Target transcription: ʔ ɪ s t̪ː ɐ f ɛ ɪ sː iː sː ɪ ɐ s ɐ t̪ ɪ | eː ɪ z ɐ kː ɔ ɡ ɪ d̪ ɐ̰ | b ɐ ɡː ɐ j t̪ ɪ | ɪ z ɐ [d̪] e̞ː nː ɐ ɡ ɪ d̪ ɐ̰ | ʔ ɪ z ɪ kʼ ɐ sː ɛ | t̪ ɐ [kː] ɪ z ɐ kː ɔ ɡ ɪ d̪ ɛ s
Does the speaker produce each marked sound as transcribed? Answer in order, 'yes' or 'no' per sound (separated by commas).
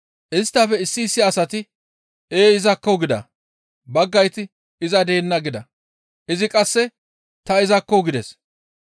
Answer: yes, no